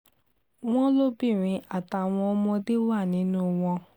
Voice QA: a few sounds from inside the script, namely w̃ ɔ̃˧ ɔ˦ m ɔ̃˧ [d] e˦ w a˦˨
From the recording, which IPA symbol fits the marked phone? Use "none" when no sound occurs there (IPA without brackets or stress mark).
d